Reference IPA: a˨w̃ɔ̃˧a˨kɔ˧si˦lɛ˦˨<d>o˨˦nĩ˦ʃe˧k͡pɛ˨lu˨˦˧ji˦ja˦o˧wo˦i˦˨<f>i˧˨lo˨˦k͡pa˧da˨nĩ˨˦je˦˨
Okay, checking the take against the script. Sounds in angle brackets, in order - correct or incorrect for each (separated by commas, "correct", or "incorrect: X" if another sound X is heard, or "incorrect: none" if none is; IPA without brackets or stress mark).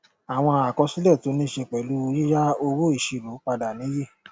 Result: incorrect: t, incorrect: ʃ